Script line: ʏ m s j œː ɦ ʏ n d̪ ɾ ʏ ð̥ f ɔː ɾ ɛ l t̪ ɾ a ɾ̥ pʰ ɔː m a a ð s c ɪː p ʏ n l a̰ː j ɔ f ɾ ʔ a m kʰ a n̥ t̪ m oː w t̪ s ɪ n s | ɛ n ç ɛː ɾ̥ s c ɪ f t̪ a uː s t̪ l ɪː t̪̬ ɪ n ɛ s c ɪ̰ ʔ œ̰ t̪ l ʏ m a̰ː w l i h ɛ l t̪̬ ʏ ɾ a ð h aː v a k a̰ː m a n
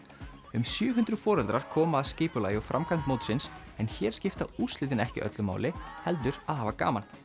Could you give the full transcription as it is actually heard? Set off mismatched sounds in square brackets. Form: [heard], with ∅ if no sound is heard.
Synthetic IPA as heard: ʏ m s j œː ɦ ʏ n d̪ ɾ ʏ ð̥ f ɔː ɾ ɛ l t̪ ɾ a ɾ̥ [kʰ] ɔː m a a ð s c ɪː p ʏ [∅] l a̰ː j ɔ f ɾ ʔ a m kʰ a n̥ t̪ m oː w t̪ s ɪ n s | ɛ n ç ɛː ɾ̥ s c ɪ f t̪ a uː s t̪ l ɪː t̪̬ ɪ n ɛ [h] c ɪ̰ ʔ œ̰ t̪ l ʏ m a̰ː w l [ɪ] h ɛ l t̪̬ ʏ ɾ a ð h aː v a k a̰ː m a n